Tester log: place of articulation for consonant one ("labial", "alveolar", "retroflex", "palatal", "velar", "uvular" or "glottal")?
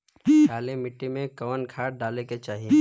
alveolar